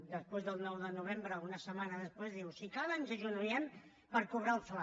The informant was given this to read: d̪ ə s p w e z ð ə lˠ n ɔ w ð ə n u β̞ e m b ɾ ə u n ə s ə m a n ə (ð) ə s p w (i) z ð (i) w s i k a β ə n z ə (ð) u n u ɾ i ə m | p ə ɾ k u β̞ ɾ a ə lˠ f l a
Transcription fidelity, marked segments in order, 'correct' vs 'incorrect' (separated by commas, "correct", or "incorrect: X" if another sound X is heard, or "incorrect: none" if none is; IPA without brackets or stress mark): correct, incorrect: e, correct, incorrect: ʒ